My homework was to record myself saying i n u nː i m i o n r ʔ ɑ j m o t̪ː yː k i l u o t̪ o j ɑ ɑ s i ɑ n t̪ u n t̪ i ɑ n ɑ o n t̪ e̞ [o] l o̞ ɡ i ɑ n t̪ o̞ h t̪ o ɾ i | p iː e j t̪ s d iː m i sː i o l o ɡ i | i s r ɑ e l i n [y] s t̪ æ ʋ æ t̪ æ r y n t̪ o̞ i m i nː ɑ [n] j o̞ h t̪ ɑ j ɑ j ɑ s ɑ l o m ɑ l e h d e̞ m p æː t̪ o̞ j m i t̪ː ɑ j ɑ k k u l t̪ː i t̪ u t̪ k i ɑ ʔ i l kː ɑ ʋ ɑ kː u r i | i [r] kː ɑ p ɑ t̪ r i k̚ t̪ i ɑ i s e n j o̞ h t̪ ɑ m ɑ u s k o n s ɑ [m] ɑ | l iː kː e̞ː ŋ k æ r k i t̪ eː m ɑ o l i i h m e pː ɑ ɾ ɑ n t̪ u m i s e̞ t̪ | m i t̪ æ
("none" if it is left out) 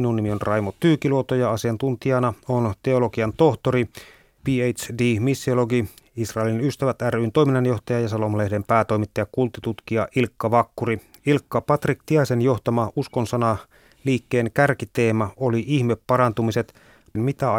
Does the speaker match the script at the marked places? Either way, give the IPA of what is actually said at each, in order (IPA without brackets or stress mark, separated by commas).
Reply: o, y, n, l, n